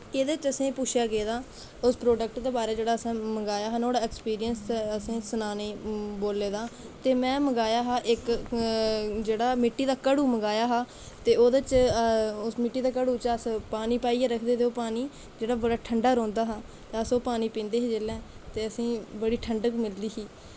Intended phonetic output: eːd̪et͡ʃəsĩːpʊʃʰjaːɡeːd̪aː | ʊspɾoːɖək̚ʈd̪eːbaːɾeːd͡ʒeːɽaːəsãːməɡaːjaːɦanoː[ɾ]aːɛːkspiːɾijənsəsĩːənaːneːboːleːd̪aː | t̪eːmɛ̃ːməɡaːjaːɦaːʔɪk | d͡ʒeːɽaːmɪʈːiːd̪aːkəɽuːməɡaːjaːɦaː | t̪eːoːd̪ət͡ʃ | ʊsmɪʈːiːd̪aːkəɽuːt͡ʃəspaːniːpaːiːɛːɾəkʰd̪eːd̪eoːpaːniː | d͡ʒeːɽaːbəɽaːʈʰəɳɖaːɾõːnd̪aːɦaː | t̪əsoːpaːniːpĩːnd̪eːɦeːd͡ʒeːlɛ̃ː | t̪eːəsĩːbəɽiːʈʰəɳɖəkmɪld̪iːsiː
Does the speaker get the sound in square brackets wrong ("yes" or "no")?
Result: yes